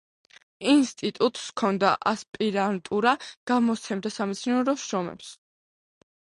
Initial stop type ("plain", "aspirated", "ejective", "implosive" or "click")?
ejective